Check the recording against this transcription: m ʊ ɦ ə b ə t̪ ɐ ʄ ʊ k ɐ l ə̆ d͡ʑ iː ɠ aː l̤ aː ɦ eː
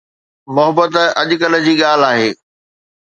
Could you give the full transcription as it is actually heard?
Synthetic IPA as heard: m ʊ ɦ ə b ə t̪ ɐ ʄ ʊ k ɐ l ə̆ d͡ʑ iː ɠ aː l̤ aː ɦ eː